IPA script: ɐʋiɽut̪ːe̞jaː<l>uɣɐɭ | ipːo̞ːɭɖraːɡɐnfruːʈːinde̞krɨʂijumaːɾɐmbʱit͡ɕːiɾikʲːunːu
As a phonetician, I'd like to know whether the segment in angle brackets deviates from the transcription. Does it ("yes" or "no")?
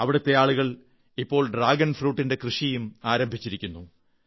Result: yes